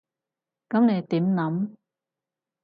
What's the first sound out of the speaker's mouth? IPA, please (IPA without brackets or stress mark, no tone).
k